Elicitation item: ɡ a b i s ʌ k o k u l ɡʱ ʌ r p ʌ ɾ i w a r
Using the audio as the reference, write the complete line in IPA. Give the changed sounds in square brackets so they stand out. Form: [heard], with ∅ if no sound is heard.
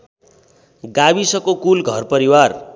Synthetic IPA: ɡ a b i s ʌ k o k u l ɡʱ ʌ r p ʌ ɾ i w a r